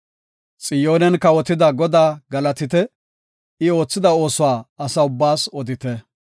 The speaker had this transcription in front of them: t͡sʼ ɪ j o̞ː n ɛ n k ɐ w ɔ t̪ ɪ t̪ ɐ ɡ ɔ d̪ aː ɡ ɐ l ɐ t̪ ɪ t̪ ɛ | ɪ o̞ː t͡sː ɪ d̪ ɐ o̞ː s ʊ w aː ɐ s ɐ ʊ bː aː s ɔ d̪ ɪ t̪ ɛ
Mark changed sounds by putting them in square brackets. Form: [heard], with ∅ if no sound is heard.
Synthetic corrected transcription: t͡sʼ ɪ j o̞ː n ɛ n k ɐ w ɔ t̪ ɪ [d̪] ɐ ɡ ɔ d̪ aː ɡ ɐ l ɐ t̪ ɪ t̪ ɛ | ɪ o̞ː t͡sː ɪ d̪ ɐ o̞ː s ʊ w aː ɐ s ɐ ʊ bː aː s ɔ d̪ ɪ t̪ ɛ

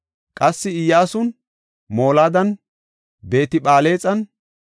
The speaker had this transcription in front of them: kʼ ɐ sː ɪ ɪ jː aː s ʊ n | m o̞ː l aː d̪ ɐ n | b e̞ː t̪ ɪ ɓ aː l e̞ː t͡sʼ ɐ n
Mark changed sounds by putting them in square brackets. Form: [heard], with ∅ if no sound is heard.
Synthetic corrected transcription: kʼ ɐ sː ɪ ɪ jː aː s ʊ n | m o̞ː l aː d̪ ɐ n | b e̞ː t̪ ɪ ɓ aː l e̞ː t͡sʼ ɐ n

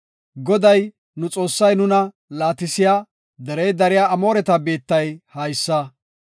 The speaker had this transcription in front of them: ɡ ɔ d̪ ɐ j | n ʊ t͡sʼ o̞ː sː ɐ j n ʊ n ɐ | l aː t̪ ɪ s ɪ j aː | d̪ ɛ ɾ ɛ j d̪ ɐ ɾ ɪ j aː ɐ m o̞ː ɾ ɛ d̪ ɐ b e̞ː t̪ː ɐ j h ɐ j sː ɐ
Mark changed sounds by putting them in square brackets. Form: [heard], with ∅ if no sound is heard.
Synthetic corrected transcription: ɡ ɔ d̪ ɐ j | n ʊ t͡sʼ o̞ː sː ɐ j n ʊ n ɐ | l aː t̪ ɪ s ɪ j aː | d̪ ɛ ɾ ɛ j d̪ ɐ ɾ ɪ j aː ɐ m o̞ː ɾ ɛ [t̪] ɐ b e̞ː t̪ː ɐ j h ɐ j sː ɐ

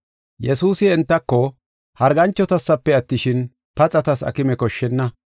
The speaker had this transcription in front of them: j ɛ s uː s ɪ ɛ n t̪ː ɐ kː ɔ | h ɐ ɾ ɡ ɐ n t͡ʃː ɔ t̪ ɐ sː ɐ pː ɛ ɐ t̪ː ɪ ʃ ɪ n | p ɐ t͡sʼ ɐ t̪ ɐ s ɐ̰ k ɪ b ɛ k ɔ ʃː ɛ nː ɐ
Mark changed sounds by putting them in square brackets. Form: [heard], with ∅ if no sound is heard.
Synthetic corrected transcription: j ɛ s uː s ɪ ɛ n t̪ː ɐ kː ɔ | h ɐ ɾ ɡ ɐ n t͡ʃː ɔ t̪ ɐ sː ɐ pː ɛ ɐ t̪ː ɪ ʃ ɪ n | p ɐ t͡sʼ ɐ t̪ ɐ s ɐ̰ k ɪ [m] ɛ k ɔ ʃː ɛ nː ɐ

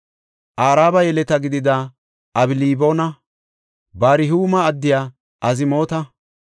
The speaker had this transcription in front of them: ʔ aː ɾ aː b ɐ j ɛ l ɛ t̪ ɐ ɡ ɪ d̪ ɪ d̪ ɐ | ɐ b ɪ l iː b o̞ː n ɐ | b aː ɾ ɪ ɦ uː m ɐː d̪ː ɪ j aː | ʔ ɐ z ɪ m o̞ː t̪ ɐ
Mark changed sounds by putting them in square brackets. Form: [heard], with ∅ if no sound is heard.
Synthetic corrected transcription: ʔ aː ɾ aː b ɐ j ɛ l ɛ t̪ ɐ ɡ ɪ d̪ ɪ d̪ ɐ | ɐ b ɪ l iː b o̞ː n ɐ | b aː ɾ ɪ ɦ uː m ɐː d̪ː ɪ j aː | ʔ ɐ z ɪ m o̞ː t̪ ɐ

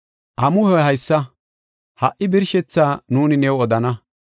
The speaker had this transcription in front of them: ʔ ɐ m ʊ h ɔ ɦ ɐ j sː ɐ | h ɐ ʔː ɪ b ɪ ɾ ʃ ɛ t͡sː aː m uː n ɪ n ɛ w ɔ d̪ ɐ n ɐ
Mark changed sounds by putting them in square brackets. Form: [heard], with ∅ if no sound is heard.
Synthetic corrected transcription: ʔ ɐ m ʊ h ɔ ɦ ɐ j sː ɐ | h ɐ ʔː ɪ b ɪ ɾ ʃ ɛ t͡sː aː [n] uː n ɪ n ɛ w ɔ d̪ ɐ n ɐ

